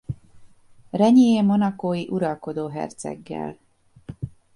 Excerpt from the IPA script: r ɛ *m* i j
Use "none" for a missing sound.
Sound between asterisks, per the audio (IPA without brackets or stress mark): ɲ